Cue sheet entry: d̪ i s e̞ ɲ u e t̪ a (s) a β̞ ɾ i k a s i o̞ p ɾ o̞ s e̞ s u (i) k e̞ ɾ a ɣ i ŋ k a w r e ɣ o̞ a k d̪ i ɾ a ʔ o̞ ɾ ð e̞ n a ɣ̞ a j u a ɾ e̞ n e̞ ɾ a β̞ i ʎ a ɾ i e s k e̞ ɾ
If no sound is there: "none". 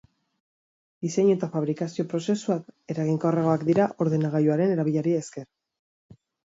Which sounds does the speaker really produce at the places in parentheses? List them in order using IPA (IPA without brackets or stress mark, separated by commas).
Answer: f, a